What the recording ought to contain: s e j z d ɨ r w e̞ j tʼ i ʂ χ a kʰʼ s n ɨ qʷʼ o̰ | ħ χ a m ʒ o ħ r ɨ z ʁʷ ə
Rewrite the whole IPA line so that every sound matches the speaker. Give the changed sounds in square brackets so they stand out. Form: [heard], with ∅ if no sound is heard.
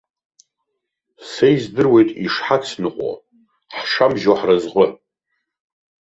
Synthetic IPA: s e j z d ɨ r w e̞ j tʼ i ʂ [ħ] a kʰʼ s n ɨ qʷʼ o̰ | ħ [ʂ] a m ʒ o ħ r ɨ z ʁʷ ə